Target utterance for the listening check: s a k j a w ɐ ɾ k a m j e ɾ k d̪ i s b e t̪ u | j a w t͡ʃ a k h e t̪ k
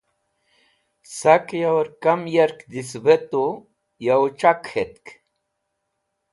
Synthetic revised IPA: s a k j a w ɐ ɾ k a m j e ɾ k d̪ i s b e t̪ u | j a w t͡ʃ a k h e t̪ k